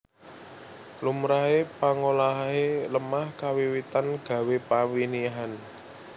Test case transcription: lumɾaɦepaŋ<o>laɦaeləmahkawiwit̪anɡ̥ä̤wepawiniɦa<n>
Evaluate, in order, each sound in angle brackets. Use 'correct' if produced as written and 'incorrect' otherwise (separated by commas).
correct, correct